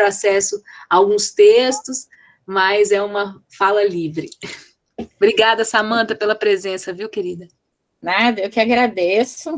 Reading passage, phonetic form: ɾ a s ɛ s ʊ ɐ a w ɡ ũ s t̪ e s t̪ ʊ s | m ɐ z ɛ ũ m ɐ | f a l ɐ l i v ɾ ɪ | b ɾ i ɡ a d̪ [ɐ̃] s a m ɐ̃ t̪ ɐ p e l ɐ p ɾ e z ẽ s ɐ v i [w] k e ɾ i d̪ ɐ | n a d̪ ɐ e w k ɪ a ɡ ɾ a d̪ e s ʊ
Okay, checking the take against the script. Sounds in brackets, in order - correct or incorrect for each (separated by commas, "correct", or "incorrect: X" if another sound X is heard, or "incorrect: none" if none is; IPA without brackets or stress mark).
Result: incorrect: ɐ, correct